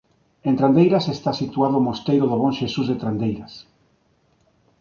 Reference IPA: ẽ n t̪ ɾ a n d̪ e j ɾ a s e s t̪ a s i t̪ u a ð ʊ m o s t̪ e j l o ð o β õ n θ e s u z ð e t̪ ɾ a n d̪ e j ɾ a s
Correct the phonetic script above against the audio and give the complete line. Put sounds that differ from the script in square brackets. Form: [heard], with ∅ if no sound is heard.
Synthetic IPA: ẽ n t̪ ɾ a n d̪ e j ɾ a s e s t̪ a s i t̪ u a ð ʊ m o s t̪ e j [ɾ] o ð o β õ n [ʃ] e s u z ð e t̪ ɾ a n d̪ e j ɾ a s